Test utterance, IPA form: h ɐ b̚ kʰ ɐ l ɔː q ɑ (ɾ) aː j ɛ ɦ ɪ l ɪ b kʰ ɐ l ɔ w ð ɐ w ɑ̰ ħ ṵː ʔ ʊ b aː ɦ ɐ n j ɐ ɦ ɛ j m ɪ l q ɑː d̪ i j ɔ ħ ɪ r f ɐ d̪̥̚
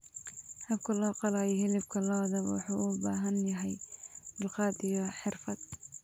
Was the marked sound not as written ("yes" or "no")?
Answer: yes